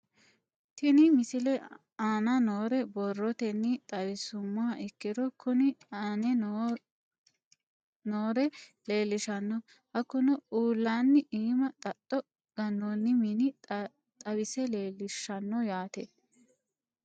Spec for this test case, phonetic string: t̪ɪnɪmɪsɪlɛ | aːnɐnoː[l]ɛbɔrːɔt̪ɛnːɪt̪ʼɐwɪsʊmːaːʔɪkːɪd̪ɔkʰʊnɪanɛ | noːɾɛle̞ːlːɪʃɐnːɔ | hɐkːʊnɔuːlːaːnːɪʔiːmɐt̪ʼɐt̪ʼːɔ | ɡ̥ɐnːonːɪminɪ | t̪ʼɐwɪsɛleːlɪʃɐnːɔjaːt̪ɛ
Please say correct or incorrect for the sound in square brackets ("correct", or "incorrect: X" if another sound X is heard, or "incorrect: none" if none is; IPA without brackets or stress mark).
incorrect: ɾ